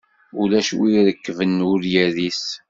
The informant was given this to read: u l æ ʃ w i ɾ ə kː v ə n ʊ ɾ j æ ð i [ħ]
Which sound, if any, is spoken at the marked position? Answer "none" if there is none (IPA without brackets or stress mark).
s